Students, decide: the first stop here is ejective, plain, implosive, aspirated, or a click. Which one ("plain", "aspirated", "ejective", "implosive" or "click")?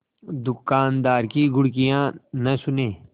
plain